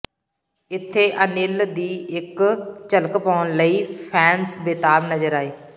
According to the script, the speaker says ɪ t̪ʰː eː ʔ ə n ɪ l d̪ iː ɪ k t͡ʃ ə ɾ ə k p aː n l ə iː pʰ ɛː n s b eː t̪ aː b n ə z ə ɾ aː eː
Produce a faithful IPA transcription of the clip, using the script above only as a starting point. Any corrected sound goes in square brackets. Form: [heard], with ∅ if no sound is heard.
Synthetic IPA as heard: ɪ t̪ʰː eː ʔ ə n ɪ l d̪ iː ɪ k t͡ʃ ə [l] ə k p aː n l ə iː pʰ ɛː n s b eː t̪ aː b n ə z ə ɾ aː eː